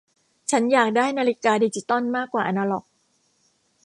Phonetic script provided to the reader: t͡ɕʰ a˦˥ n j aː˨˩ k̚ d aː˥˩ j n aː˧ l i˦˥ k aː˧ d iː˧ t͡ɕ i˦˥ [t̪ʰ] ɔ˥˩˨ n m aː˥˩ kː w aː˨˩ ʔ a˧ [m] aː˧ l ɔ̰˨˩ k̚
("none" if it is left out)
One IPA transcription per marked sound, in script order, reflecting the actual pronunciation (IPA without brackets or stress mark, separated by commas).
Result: t̪, n